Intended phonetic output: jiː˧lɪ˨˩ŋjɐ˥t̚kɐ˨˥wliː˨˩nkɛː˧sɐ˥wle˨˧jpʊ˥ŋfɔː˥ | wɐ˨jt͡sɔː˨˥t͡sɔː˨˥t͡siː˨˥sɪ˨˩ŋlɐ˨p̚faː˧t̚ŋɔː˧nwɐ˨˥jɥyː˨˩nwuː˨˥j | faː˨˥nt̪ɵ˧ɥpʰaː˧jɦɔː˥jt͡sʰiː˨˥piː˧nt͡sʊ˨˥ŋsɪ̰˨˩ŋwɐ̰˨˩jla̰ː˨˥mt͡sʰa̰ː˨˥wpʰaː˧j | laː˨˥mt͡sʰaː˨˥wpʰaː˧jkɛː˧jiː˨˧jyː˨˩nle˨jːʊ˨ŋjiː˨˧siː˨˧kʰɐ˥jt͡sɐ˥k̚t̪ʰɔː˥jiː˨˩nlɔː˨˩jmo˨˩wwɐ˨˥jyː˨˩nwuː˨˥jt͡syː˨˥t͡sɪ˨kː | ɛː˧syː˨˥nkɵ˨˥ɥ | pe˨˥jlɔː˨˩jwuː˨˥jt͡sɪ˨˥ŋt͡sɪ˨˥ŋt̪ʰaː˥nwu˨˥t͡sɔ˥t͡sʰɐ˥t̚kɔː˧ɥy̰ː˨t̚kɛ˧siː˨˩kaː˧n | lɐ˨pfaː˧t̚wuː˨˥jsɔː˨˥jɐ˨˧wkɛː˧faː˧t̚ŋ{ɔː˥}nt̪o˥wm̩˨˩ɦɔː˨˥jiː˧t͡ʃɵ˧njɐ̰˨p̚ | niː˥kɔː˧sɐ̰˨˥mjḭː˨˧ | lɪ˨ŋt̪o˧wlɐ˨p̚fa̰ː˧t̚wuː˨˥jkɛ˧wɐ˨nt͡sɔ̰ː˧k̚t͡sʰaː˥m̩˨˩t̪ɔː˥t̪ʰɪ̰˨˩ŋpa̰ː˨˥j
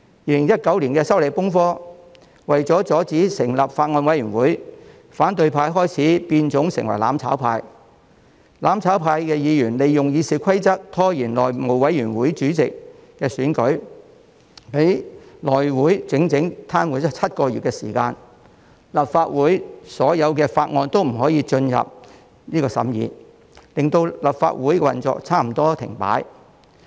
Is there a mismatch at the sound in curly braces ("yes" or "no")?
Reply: yes